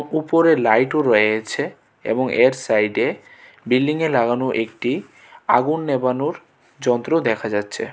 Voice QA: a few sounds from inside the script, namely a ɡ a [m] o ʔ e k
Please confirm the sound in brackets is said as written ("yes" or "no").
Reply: no